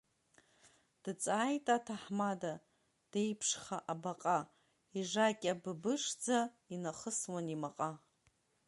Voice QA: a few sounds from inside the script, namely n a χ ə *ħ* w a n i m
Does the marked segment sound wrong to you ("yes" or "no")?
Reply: yes